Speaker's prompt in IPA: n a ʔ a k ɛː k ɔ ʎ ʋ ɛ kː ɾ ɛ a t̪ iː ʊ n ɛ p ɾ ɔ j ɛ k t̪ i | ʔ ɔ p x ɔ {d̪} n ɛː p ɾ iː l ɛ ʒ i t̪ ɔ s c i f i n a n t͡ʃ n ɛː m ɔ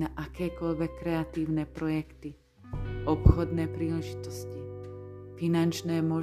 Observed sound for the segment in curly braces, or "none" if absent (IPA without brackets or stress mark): d̪